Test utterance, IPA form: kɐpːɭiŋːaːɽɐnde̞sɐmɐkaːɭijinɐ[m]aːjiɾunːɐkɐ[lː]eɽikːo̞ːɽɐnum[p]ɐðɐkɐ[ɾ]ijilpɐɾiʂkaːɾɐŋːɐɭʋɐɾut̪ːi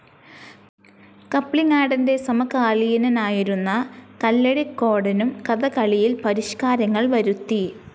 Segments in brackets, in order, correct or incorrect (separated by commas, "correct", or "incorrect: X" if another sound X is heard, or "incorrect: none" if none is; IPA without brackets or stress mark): incorrect: n, correct, incorrect: k, incorrect: ɭ